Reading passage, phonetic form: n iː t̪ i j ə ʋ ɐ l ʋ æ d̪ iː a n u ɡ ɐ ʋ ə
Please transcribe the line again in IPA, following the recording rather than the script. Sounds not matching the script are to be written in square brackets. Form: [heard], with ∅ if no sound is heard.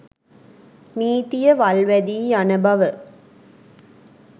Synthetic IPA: n iː t̪ i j ə ʋ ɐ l ʋ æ d̪ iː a n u [b] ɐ ʋ ə

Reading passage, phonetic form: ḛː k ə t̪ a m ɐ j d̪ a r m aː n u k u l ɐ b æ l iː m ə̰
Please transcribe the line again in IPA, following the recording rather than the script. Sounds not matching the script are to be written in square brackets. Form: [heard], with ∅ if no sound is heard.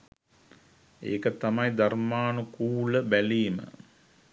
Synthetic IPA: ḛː k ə t̪ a m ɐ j d̪ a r m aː n u k [uː] l [ə] b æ l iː m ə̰

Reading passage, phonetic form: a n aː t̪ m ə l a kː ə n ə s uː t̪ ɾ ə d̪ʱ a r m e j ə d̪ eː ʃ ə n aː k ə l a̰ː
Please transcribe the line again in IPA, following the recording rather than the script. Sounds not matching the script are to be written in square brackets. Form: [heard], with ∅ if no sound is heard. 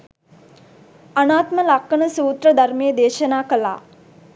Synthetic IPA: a n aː t̪ m ə l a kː ə n ə s uː t̪ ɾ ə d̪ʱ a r m e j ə d̪ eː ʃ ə n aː k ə l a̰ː

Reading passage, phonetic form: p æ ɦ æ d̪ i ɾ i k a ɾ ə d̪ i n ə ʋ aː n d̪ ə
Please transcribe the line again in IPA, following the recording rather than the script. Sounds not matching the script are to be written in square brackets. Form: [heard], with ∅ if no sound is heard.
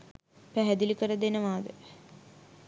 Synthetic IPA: p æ ɦ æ d̪ i [l] i k [ə] ɾ ə d̪ [e] n ə ʋ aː [∅] d̪ ə

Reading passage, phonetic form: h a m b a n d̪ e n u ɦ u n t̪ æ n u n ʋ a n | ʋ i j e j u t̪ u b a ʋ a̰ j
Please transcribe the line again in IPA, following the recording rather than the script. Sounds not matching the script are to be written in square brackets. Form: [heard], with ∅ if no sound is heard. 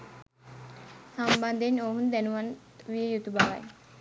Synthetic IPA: [s] a m b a n d̪ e n [o] ɦ u n [d̪] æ n u [∅] ʋ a n | ʋ i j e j u t̪ u b a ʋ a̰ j

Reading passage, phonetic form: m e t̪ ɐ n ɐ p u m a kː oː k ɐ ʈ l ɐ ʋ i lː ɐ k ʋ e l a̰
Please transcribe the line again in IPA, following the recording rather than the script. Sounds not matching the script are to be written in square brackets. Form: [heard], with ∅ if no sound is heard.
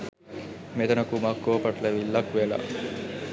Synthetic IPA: m e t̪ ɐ n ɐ [k] u m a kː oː [p] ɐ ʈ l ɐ ʋ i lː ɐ k ʋ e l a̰

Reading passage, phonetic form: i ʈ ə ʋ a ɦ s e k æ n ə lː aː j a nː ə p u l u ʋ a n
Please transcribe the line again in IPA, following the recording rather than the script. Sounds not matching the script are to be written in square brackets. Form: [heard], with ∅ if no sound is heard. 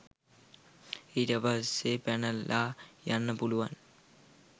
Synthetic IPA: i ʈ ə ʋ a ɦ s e [p] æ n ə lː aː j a nː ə p u l u ʋ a n

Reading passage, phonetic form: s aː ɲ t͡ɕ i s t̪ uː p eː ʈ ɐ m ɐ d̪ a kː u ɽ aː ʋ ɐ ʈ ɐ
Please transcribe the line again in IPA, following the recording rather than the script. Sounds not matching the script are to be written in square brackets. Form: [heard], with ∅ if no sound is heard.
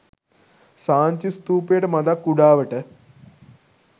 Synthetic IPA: s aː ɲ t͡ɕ i s t̪ uː p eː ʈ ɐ m ɐ d̪ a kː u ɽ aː ʋ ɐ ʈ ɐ

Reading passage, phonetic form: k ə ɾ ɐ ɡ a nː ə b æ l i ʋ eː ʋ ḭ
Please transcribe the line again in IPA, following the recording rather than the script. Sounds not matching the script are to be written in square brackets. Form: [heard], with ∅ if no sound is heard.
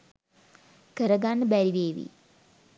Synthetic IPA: k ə ɾ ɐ ɡ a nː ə b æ [ɾ] i ʋ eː ʋ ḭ

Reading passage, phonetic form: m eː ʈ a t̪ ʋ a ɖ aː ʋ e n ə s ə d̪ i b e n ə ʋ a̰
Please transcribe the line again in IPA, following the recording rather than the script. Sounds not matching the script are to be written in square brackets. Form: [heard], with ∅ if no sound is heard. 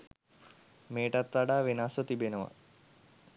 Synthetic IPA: m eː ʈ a t̪ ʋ a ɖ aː ʋ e n [a] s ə [t̪] i b e n ə ʋ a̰

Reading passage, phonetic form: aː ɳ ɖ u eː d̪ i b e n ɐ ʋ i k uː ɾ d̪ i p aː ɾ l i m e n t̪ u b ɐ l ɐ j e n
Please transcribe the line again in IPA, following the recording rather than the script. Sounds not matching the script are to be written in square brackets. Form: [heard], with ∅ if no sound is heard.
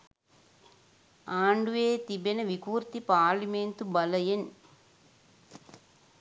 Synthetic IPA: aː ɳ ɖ u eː [t̪] i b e n ɐ ʋ i k uː ɾ [t̪] i p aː ɾ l i m e n t̪ u b ɐ l ɐ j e n

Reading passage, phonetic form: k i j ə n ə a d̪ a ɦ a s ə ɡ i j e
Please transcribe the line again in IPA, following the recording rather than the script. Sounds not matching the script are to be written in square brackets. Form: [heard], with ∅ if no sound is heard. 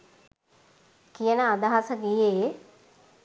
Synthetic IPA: k i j ə n ə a d̪ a ɦ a s ə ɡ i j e

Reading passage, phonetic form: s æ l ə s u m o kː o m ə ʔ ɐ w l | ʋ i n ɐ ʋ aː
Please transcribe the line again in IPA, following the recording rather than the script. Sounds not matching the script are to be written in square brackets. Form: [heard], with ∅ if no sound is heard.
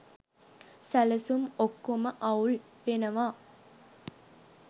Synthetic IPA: s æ l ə s u m o kː o m ə ʔ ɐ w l | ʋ [e] n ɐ ʋ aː

